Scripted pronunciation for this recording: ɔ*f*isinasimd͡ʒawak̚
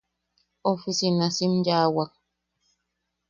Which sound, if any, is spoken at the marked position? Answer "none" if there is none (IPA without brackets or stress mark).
f